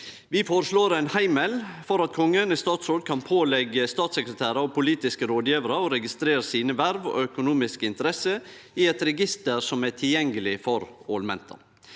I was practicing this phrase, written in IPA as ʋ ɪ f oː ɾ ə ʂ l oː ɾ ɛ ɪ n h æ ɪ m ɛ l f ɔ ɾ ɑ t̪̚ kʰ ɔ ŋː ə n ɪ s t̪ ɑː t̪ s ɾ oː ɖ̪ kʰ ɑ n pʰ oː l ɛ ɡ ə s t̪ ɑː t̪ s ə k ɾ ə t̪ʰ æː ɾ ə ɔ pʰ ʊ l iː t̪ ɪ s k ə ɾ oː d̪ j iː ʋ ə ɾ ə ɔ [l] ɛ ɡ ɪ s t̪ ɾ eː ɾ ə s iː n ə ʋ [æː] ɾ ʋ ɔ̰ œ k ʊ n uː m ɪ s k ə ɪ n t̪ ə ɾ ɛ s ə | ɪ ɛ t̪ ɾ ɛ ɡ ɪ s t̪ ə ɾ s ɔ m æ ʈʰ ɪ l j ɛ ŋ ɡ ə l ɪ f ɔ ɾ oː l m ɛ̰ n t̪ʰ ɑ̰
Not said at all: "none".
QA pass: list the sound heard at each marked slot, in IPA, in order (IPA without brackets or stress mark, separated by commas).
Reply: ɾ, æ